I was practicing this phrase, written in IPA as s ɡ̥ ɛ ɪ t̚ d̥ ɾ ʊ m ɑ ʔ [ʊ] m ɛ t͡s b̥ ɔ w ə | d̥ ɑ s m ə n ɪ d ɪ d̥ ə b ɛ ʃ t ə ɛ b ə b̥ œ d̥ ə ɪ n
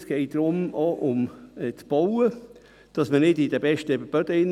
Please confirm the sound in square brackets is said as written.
yes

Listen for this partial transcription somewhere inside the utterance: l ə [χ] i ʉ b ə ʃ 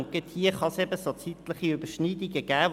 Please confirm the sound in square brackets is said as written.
yes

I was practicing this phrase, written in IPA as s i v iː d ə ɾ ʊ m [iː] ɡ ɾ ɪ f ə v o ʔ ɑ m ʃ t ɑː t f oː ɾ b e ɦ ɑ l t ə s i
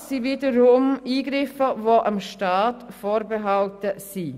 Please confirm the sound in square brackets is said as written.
yes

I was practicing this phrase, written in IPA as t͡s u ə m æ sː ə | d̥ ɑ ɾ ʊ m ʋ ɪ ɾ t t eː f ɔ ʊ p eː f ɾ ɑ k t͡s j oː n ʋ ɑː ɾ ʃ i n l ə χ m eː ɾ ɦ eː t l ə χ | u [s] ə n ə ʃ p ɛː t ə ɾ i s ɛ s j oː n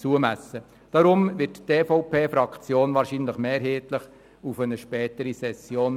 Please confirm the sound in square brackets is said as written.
no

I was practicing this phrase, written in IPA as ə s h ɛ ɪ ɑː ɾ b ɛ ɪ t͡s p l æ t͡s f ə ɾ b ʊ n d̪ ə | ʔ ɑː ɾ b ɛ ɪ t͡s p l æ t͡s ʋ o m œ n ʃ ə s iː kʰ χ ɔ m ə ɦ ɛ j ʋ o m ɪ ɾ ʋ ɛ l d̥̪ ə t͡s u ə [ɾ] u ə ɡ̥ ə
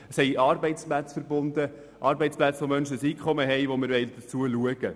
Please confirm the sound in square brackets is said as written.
no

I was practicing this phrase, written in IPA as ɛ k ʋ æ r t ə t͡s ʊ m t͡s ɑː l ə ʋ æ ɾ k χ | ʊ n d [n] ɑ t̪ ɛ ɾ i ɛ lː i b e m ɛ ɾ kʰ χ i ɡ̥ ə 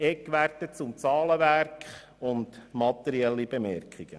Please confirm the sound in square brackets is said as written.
no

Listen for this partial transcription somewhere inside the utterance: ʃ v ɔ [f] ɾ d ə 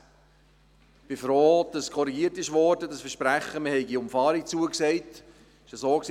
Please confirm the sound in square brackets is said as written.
no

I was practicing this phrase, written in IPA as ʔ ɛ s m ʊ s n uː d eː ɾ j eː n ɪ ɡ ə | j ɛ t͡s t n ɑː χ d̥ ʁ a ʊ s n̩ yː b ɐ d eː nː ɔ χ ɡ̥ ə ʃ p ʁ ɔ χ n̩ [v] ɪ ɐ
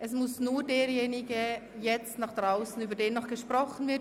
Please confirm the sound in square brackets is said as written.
yes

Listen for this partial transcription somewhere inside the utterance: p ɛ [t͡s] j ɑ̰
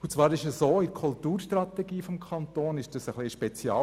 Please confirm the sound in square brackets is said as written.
yes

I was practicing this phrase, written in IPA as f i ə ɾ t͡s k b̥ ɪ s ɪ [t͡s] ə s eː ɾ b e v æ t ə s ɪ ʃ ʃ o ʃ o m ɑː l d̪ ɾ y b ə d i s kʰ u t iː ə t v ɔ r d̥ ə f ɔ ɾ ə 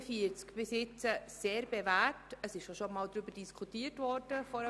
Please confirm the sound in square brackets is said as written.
yes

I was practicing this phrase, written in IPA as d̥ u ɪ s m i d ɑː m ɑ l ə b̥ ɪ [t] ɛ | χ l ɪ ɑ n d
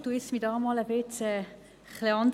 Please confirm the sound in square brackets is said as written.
no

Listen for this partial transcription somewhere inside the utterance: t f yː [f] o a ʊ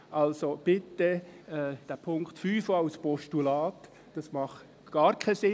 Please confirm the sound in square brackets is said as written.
yes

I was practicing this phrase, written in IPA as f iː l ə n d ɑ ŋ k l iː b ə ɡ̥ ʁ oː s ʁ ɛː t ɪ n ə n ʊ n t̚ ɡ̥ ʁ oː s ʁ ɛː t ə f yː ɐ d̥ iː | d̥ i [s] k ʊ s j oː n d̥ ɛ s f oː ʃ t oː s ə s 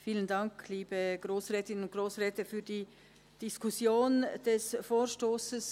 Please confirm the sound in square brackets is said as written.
yes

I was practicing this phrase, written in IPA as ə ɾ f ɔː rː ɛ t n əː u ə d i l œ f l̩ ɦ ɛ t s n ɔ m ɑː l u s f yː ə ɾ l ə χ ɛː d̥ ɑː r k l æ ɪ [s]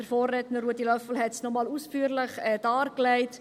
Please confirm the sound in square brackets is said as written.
no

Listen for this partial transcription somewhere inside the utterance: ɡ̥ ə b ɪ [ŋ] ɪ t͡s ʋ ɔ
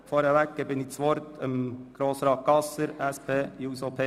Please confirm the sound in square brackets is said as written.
no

